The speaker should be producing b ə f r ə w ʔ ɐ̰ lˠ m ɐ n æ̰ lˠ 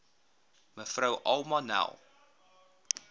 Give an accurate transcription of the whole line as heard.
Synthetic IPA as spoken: m ə f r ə w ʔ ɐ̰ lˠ m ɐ n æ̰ lˠ